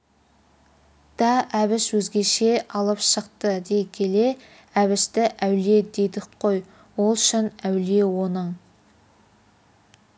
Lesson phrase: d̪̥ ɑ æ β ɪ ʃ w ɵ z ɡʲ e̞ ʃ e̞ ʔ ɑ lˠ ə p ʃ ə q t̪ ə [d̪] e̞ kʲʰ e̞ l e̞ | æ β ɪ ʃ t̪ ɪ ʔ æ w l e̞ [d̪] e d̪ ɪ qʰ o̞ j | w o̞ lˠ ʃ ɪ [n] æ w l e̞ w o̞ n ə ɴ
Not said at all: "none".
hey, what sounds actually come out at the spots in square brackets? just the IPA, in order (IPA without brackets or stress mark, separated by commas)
d̪, d̪, n